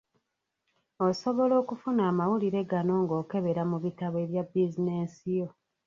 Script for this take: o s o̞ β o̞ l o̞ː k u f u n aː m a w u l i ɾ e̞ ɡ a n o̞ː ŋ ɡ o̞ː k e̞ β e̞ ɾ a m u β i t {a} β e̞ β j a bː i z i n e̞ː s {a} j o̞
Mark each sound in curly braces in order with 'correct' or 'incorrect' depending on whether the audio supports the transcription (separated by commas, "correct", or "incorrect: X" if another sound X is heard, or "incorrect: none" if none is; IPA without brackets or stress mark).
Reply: correct, incorrect: i